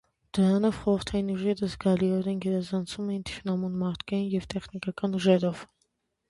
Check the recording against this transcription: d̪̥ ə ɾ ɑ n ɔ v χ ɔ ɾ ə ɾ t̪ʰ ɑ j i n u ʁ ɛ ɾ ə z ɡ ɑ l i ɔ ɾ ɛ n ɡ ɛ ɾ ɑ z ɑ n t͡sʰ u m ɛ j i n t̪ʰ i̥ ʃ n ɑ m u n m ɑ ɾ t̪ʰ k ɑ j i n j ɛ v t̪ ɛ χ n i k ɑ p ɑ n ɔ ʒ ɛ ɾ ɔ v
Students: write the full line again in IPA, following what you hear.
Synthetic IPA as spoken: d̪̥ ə ɾ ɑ n ɔ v χ ɔ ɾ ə ɾ t̪ʰ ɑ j i n u ʒ ɛ ɾ ə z ɡ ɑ l i ɔ ɾ ɛ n ɡ ɛ ɾ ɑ z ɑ n t͡sʰ u m ɛ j i n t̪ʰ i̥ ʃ n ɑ m u n m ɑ ɾ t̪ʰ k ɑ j i n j ɛ v t̪ ɛ χ n i k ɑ k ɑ n u ʒ ɛ ɾ ɔ v